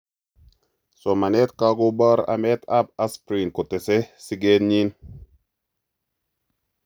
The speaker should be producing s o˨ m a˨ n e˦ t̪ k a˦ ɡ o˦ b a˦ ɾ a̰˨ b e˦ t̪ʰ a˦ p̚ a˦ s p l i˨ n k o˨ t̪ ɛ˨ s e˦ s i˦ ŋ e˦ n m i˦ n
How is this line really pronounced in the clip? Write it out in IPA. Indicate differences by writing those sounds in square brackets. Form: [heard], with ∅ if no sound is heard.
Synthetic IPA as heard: s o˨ m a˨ n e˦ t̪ k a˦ ɡ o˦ b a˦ ɾ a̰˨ [m] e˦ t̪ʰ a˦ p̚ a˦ s p [ɾ] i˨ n k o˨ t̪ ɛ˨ s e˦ s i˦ [ɡ] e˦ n [ɲ] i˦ n